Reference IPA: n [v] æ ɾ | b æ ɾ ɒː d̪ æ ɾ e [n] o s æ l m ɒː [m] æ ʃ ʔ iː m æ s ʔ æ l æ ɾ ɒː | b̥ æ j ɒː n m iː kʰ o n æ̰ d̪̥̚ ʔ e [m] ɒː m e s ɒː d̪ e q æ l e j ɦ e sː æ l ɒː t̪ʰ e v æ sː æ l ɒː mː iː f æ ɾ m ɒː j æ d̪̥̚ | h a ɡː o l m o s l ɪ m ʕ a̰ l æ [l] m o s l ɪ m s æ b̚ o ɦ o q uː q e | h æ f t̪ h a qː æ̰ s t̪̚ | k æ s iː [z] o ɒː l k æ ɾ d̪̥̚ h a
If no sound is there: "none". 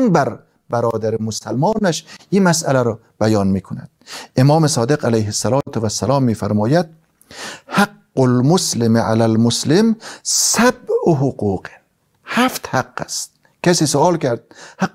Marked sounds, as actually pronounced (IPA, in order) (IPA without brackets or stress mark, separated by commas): b, m, n, m, l, s